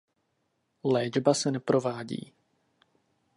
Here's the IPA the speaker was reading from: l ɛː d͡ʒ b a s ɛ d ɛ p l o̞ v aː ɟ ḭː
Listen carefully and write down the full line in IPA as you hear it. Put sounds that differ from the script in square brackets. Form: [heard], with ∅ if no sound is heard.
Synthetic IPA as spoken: l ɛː d͡ʒ b a s ɛ [n] ɛ p [ɾ] o̞ v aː ɟ ḭː